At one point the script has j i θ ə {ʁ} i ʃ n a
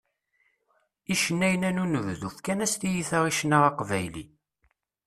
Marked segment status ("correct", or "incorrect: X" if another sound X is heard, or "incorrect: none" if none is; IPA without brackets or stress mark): correct